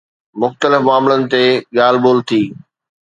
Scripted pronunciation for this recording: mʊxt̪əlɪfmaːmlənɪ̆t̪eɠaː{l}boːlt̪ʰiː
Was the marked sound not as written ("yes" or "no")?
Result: no